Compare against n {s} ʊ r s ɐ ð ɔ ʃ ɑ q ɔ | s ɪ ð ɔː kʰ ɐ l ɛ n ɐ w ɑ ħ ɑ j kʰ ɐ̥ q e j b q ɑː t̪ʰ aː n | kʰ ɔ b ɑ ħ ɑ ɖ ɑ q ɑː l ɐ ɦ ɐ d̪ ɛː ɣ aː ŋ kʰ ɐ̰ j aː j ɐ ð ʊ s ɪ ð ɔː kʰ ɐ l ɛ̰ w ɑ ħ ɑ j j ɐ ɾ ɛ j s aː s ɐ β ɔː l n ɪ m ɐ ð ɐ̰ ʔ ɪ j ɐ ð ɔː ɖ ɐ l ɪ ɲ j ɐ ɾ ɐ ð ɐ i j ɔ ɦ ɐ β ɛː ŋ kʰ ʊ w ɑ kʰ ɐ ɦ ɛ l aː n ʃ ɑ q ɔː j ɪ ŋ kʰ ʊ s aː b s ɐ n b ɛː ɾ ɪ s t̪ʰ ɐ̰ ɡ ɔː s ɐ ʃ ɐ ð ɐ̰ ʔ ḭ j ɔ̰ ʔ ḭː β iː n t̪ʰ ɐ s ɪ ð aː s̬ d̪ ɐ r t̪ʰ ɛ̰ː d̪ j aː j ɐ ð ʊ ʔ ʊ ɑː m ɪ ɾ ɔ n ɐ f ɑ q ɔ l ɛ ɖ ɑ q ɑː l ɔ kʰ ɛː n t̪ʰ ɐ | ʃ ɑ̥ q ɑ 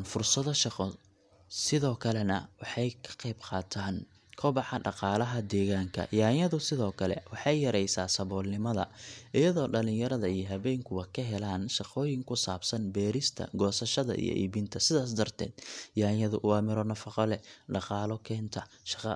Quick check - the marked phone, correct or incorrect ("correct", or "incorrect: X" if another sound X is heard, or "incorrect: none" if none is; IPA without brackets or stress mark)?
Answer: incorrect: f